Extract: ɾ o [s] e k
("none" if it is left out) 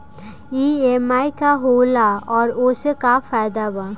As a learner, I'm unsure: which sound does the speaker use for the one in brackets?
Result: s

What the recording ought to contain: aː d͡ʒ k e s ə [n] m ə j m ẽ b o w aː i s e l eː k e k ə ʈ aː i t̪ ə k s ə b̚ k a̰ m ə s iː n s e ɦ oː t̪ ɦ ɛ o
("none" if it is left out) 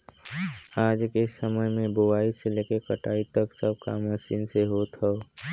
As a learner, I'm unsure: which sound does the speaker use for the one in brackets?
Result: none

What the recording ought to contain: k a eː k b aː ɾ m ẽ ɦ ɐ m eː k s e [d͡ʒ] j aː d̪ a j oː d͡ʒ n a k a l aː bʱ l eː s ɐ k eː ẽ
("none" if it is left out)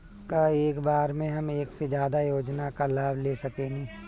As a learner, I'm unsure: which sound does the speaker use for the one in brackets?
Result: d͡ʒ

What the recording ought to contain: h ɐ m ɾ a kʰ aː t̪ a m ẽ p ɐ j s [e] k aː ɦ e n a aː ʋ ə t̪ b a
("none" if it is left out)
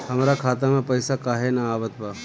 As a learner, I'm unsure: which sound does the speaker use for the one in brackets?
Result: a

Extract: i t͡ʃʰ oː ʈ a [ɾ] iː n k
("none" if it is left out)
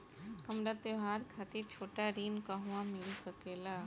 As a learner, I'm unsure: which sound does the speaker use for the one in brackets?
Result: ɾ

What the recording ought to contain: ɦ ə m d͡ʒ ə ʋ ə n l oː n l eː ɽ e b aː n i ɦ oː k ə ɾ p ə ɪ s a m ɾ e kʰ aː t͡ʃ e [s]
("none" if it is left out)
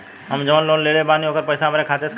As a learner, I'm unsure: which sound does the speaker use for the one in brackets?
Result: s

